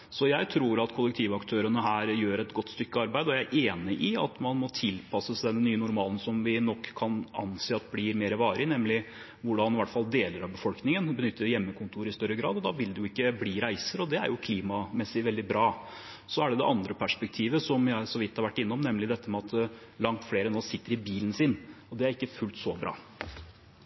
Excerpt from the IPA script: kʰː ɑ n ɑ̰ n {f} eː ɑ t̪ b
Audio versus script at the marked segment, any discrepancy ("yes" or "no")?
yes